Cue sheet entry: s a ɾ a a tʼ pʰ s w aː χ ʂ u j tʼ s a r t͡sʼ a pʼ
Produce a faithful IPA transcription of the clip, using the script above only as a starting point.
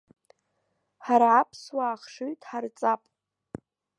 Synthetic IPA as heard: ħ a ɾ a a pʰ s w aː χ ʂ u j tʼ ħ a r t͡sʼ a pʼ